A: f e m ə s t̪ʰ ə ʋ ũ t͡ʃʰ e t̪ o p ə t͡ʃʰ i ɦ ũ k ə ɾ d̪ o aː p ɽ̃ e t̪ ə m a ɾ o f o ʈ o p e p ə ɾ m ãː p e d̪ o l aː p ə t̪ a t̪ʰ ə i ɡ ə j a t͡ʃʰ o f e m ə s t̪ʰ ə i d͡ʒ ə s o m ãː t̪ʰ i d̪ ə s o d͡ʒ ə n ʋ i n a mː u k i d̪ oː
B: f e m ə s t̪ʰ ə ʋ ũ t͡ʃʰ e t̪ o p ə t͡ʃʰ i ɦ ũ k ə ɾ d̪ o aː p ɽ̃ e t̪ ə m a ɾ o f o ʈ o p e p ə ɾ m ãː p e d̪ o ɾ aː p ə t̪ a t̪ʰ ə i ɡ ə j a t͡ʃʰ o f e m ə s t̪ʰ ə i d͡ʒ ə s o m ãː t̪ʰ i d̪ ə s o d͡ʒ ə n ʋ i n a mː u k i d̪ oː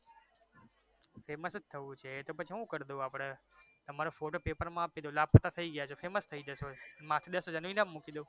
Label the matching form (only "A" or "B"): A